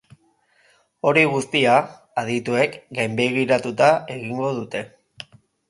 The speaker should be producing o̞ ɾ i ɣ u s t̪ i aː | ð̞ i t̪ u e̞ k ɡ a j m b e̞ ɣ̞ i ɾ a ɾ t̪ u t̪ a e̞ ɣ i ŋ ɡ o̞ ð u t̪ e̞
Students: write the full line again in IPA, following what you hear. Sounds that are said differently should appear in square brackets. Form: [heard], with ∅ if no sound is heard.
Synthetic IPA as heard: o̞ ɾ i ɣ u s t̪ i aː | ð̞ i t̪ u e̞ k ɡ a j m b e̞ ɣ̞ i ɾ a [∅] t̪ u t̪ a e̞ ɣ i ŋ ɡ o̞ ð u t̪ e̞